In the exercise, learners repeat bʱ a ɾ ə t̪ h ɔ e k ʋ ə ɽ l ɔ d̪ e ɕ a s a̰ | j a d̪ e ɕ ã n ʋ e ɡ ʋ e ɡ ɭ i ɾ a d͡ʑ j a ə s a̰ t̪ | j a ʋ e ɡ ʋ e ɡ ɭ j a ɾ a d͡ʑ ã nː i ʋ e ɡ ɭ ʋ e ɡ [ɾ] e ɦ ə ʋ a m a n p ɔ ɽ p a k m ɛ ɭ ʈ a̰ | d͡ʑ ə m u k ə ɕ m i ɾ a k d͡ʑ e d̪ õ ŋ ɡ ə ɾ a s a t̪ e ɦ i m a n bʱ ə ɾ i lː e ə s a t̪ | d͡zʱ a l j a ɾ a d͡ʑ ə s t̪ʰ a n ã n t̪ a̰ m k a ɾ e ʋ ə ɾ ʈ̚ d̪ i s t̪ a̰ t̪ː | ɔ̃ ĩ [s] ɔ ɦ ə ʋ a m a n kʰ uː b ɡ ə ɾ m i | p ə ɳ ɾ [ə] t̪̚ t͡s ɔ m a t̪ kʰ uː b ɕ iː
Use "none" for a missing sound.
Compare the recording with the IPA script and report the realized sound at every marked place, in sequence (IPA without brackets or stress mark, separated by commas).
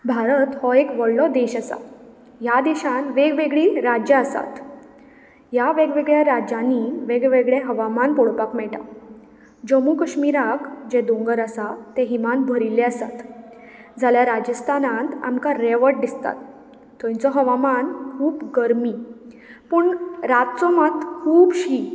ɭ, t͡s, a